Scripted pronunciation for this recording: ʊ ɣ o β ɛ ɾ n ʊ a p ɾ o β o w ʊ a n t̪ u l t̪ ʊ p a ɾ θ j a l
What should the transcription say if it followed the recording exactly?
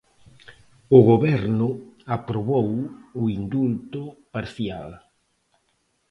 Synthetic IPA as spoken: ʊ ɣ o β ɛ ɾ n ʊ a p ɾ o β o w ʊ i n d̪ u l t̪ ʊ p a ɾ θ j a l